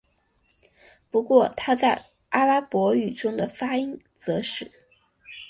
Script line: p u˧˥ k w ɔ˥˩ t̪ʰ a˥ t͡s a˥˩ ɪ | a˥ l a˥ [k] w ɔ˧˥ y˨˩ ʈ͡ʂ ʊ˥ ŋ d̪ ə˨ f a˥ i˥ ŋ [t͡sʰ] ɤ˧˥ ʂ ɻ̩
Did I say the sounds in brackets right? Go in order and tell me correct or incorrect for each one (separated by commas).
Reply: incorrect, incorrect